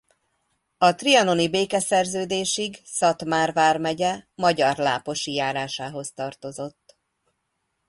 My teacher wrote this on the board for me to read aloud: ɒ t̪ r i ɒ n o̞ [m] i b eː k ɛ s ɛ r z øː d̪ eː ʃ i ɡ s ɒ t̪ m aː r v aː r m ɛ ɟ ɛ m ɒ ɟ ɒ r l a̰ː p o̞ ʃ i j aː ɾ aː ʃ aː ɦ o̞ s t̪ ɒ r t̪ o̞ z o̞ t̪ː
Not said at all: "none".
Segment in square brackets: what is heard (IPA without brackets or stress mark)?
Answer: n